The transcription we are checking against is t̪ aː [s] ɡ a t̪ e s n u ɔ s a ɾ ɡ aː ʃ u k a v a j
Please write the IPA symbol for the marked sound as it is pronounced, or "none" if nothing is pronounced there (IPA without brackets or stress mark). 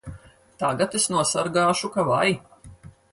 none